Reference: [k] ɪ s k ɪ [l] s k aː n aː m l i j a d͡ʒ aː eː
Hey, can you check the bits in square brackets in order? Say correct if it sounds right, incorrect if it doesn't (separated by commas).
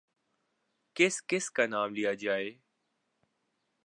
correct, incorrect